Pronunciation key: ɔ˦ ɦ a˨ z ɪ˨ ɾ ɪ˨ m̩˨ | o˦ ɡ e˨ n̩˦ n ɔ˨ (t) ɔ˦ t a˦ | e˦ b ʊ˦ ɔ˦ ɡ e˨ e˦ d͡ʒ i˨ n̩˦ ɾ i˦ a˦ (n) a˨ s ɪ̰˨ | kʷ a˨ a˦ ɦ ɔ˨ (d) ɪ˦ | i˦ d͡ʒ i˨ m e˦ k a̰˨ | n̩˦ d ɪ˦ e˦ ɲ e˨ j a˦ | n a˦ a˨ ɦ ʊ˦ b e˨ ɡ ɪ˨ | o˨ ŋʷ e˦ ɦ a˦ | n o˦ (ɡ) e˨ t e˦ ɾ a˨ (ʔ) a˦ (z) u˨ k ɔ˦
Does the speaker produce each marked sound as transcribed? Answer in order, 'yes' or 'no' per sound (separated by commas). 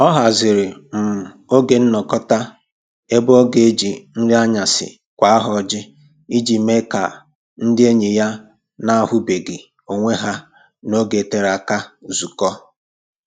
no, no, no, yes, no, yes